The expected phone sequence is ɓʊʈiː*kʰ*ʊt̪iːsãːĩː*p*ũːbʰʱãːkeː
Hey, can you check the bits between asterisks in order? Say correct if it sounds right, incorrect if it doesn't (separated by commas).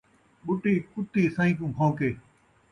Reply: incorrect, incorrect